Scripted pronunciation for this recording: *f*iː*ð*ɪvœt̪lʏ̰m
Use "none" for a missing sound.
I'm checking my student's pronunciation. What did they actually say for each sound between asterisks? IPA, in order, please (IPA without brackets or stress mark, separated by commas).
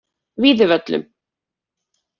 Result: v, ð